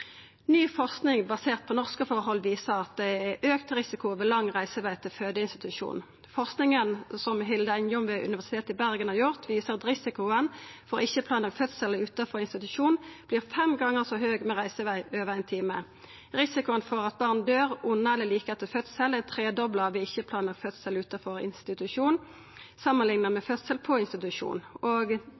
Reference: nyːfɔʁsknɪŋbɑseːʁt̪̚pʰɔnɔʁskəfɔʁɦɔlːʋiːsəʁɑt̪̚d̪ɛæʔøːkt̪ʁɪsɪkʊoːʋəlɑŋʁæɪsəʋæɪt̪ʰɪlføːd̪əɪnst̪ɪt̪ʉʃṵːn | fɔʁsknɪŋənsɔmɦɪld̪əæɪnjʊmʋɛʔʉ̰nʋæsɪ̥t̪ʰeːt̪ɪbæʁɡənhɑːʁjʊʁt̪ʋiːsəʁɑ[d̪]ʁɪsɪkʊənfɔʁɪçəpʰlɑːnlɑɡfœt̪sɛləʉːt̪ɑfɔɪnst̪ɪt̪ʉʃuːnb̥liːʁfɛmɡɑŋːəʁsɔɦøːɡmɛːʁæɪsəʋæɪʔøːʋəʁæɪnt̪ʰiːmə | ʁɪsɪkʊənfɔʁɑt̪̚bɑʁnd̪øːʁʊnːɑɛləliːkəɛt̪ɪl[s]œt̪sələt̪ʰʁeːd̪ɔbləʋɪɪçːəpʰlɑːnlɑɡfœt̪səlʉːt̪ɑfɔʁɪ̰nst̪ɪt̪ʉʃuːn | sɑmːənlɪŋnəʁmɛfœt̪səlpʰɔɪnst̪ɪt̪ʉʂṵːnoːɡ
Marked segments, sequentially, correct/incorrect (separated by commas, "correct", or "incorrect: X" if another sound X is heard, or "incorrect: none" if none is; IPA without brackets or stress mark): incorrect: t̪, incorrect: f